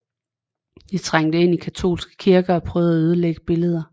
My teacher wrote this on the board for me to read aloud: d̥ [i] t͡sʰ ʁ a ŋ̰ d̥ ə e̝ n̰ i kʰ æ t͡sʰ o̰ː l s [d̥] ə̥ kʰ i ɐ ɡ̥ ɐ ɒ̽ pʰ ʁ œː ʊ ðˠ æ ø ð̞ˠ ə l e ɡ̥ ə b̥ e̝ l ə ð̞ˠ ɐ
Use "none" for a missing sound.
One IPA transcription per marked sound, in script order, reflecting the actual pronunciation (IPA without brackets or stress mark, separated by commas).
i, ɡ̥